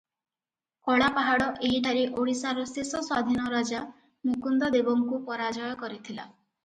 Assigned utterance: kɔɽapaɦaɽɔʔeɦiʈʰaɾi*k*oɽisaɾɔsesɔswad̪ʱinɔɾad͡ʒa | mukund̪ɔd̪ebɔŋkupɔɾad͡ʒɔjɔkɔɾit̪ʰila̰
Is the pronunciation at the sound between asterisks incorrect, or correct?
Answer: incorrect